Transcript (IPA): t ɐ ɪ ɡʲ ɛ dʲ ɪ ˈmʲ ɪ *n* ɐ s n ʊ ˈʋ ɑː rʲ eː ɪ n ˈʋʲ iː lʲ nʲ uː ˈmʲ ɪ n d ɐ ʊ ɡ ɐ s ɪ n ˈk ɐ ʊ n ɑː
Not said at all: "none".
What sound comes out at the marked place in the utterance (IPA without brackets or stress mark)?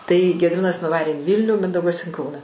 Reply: n